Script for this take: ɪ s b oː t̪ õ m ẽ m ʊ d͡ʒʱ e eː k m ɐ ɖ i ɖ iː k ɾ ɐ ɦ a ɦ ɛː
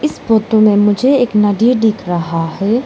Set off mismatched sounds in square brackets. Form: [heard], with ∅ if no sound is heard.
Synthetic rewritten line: ɪ s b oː t̪ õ m ẽ m ʊ d͡ʒʱ e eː k [n] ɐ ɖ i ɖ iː k ɾ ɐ ɦ a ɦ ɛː